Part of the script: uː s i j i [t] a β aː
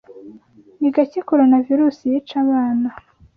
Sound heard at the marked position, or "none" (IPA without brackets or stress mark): t͡ʃ